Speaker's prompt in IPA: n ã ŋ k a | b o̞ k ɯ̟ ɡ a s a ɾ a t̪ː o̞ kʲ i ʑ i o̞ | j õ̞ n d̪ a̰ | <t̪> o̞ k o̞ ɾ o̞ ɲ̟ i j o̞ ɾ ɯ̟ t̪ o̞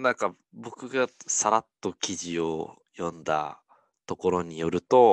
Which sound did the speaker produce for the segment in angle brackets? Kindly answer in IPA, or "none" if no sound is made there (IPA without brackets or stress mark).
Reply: t̪